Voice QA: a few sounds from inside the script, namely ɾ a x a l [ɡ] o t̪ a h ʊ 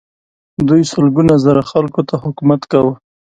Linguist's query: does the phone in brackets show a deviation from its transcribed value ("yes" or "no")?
yes